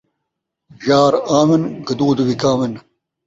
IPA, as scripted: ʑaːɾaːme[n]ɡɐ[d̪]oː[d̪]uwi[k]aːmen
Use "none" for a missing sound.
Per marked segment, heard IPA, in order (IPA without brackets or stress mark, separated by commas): n, d̪, d̪, k